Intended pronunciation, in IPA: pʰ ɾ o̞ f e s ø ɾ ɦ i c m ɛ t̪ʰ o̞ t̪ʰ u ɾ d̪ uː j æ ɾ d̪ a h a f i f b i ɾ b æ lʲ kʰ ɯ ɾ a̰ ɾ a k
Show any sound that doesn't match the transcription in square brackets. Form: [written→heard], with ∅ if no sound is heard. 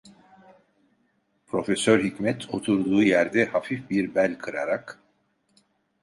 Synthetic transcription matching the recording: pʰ ɾ o̞ f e s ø ɾ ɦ i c m ɛ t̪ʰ o̞ t̪ʰ u ɾ d̪ uː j æ ɾ d̪ [a→ɛ] h a f i f b i ɾ b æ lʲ kʰ ɯ ɾ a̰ ɾ a k